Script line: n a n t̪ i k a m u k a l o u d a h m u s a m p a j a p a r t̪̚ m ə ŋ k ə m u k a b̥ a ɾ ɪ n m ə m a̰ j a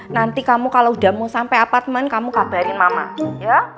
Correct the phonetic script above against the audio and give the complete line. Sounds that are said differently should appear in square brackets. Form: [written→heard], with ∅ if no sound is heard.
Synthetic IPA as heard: n a n t̪ i k a m u k a l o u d a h m u s a m p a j a p a r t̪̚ m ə [ŋ→n] k [ə→a] m u k a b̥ a ɾ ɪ n m [ə→a] m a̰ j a